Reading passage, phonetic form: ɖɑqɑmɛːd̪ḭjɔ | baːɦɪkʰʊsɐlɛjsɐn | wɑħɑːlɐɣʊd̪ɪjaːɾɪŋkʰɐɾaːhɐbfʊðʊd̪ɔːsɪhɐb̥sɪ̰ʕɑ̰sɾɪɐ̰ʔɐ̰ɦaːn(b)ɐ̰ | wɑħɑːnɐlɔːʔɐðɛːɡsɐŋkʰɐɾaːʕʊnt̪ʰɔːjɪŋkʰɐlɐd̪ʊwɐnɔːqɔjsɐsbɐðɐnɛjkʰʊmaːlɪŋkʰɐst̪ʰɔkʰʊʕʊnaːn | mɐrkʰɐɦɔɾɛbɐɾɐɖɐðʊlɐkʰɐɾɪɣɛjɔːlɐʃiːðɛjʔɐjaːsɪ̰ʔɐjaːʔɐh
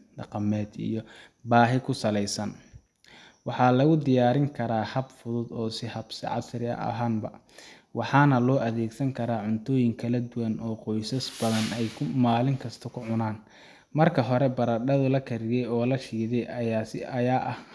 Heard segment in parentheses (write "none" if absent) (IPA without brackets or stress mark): b